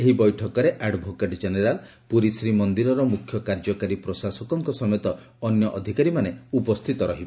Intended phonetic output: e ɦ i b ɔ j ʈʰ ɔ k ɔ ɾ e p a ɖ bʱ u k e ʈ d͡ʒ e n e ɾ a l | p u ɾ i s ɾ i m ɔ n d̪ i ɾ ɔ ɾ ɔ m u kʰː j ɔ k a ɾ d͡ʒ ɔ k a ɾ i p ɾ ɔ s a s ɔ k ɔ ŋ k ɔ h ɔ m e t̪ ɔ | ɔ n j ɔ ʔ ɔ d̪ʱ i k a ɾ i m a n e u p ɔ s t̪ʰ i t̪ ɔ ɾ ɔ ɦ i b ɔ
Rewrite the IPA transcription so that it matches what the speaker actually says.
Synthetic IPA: e ɦ i b ɔ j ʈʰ ɔ k ɔ ɾ e ʔ a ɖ bʱ o k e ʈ d͡ʒ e n e ɾ a l | p u ɾ i s ɾ i m ɔ n d̪ i ɾ ɔ ɾ ɔ m u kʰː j ɔ k a ɾ d͡ʒ ɔ k a ɾ i p ɾ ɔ s a s ɔ k ɔ ŋ k ɔ s ɔ m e t̪ ɔ | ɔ n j ɔ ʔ ɔ d̪ʱ i k a ɾ i m a n e u p ɔ s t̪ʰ i t̪ ɔ ɾ ɔ ɦ i b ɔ